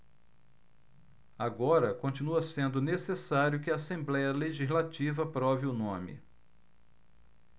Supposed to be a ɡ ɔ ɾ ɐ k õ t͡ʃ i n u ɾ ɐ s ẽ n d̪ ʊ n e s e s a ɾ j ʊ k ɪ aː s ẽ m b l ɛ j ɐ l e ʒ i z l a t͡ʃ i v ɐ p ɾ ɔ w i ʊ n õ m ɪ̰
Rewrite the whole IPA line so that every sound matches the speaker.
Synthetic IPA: a ɡ ɔ ɾ ɐ k õ t͡ʃ i n u ɐ s ẽ n d̪ ʊ n e s e s a ɾ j ʊ k ɪ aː s ẽ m b l ɛ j ɐ l e ʒ i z l a t͡ʃ i v ɐ p ɾ ɔ v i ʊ n õ m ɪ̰